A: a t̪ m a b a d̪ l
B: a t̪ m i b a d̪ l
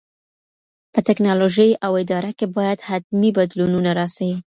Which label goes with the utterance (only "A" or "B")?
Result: B